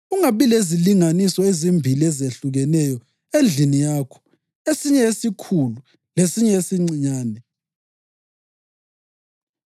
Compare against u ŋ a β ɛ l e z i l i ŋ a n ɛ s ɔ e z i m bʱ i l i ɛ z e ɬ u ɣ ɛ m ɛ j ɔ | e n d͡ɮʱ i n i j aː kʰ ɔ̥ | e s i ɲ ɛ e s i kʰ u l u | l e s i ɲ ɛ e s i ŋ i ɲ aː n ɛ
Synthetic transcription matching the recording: u ŋ a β i l e z i l i ŋ a n i s ɔ e z i m bʱ i l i ɛ z e ɬ u ɣ ɛ n ɛ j ɔ | e n d͡ɮʱ i n i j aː kʰ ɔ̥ | e s i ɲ ɛ e s i kʰ u l u | l e s i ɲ ɛ e s i ŋ͡ǀ i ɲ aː n ɛ